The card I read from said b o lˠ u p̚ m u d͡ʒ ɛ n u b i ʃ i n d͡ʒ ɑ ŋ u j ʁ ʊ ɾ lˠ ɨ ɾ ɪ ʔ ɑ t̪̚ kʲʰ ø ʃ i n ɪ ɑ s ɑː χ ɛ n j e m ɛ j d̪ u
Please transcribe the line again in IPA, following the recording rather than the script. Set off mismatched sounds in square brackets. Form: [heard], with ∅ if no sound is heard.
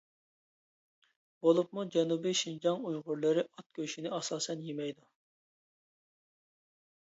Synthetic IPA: b o lˠ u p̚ m u d͡ʒ ɛ n u b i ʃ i n d͡ʒ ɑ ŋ u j ʁ ʊ ɾ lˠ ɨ ɾ ɪ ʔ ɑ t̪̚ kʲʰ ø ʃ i n ɪ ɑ s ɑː [s] ɛ n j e m ɛ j d̪ u

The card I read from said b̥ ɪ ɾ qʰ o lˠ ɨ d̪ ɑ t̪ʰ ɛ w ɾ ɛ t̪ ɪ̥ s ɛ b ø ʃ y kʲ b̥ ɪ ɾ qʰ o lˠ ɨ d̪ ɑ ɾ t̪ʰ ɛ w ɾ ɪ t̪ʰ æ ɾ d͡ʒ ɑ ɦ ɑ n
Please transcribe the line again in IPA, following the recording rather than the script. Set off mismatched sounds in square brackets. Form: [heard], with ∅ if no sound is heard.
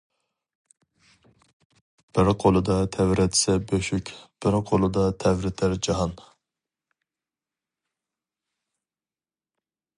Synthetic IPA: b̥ ɪ ɾ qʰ o lˠ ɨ d̪ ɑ t̪ʰ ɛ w ɾ ɛ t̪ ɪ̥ s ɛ b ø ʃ y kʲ b̥ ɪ ɾ qʰ o lˠ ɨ d̪ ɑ [∅] t̪ʰ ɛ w ɾ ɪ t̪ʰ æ ɾ d͡ʒ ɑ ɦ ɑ n

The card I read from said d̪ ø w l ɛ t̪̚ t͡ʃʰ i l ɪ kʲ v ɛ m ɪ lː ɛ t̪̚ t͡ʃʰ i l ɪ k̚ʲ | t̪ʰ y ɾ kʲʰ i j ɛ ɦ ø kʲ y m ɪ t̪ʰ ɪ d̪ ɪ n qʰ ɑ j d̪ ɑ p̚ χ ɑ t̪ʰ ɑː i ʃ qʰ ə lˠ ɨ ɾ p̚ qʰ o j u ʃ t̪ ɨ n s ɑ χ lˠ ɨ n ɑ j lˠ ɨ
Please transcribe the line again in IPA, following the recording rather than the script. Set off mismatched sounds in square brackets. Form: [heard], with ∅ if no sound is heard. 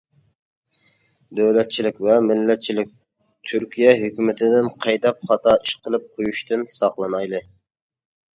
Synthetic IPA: d̪ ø w l ɛ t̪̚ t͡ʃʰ i l ɪ kʲ v ɛ m ɪ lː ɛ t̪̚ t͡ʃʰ i l ɪ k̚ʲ | t̪ʰ y ɾ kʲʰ i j ɛ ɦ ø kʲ y m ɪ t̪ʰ ɪ d̪ ɪ n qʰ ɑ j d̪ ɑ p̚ χ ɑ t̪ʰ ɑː i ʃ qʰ ə lˠ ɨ [∅] p̚ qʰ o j u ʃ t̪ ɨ n s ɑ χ lˠ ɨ n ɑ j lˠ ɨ

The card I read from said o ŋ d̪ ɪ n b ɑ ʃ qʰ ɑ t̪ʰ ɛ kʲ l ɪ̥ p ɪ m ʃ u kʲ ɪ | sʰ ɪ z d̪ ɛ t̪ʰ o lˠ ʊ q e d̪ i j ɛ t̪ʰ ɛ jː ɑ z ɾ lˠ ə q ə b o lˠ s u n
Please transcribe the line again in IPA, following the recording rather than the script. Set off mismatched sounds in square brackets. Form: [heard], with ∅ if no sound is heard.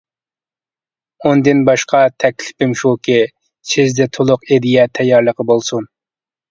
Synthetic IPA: o [n] d̪ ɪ n b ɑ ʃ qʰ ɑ t̪ʰ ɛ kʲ l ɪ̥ p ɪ m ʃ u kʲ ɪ | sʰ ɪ z d̪ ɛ t̪ʰ o lˠ ʊ q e d̪ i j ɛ t̪ʰ ɛ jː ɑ [∅] ɾ lˠ ə q ə b o lˠ s u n

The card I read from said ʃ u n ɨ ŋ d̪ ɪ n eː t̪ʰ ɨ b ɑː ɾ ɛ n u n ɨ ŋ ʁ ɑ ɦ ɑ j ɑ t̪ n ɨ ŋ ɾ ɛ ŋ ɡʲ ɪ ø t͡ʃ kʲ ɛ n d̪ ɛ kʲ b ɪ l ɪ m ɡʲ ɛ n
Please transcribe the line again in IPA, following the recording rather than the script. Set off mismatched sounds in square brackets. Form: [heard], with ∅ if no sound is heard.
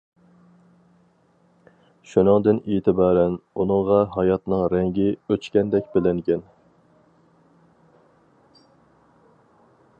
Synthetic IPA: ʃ u n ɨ ŋ d̪ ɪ n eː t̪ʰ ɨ b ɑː ɾ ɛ n u n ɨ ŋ ʁ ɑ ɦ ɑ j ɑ t̪ n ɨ ŋ ɾ ɛ ŋ ɡʲ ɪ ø t͡ʃ kʲ ɛ n d̪ ɛ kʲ b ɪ l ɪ [ŋ] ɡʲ ɛ n

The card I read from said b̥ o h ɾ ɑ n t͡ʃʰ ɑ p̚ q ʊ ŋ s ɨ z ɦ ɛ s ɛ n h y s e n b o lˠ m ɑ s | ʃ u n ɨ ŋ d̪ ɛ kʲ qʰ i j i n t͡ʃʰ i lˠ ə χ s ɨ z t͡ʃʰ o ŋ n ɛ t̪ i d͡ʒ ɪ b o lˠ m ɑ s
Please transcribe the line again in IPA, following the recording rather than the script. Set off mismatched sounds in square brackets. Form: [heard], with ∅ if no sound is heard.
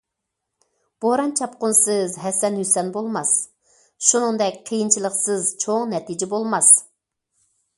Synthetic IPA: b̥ o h ɾ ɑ n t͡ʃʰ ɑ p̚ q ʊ [n] s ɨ z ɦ ɛ s ɛ n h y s [ɛ] n b o lˠ m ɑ s | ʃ u n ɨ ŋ d̪ ɛ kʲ qʰ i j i n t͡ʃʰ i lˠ ə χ s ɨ z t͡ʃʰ o ŋ n ɛ t̪ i d͡ʒ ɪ b o lˠ m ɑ s

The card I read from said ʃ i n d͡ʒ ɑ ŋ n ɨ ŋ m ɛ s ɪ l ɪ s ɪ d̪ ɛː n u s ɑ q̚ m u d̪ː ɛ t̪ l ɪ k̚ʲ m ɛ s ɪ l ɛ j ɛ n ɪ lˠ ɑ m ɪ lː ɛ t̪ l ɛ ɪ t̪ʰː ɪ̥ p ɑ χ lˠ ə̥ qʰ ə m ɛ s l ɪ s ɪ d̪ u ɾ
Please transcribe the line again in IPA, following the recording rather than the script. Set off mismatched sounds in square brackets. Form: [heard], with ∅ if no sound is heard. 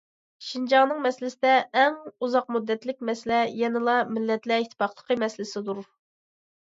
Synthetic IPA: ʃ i n d͡ʒ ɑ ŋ n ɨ ŋ m ɛ s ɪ l ɪ s ɪ d̪ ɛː [ŋ] u [z] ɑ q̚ m u d̪ː ɛ t̪ l ɪ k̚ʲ m ɛ s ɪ l ɛ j ɛ n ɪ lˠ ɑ m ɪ lː ɛ t̪ l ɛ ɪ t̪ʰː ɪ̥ p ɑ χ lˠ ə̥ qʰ ə m ɛ s l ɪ s ɪ d̪ u ɾ

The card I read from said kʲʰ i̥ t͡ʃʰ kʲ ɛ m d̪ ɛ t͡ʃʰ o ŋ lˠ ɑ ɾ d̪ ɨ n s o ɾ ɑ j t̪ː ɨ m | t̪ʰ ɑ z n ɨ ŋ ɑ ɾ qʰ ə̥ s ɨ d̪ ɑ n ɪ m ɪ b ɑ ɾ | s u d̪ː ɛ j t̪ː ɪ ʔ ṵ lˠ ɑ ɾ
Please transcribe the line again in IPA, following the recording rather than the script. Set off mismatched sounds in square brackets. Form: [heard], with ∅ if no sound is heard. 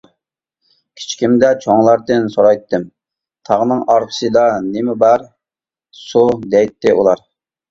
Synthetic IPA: kʲʰ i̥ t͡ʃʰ kʲ [i] m d̪ ɛ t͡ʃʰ o ŋ lˠ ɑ ɾ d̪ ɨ n s o ɾ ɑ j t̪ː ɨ m | t̪ʰ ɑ [ʁ] n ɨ ŋ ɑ ɾ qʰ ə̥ s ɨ d̪ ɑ n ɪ m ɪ b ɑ ɾ | s u [d̪] ɛ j t̪ː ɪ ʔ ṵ lˠ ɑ ɾ

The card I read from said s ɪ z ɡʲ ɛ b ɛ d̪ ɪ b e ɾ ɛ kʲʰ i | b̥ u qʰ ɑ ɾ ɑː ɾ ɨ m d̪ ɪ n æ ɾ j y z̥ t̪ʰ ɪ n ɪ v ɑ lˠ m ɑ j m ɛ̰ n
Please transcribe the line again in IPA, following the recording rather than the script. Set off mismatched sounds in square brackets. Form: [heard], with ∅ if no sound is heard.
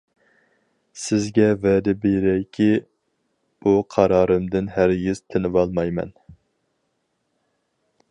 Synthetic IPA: s ɪ z ɡʲ ɛ [v] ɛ d̪ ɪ b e ɾ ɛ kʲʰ i | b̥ u qʰ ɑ ɾ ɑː ɾ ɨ m d̪ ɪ n æ ɾ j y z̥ t̪ʰ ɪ n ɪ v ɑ lˠ m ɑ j m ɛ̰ n

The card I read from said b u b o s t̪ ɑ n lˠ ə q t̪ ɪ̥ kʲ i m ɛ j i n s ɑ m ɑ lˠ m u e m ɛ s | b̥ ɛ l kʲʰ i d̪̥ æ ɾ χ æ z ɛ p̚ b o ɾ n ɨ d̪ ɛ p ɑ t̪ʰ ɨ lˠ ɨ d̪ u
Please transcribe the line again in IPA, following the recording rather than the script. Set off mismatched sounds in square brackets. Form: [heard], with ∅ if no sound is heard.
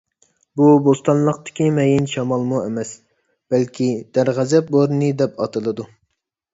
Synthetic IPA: b u b o s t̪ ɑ n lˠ ə q t̪ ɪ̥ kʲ i m ɛ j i n [ʃ] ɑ m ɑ lˠ m u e m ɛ s | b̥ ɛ l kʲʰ i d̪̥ æ ɾ [ʁ] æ z ɛ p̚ b o ɾ n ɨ d̪ ɛ p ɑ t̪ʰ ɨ lˠ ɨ d̪ u

